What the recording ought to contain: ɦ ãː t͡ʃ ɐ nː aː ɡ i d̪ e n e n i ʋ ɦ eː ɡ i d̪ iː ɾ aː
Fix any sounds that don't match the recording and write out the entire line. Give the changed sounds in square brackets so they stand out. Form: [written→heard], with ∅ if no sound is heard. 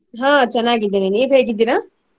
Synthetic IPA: ɦ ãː t͡ʃ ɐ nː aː ɡ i d̪ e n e n [i→iː] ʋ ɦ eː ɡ i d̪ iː ɾ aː